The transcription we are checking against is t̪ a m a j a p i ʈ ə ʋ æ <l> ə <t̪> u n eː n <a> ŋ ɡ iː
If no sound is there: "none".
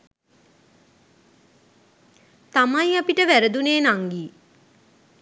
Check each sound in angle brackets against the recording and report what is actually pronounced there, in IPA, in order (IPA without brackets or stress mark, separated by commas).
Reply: ɾ, d̪, a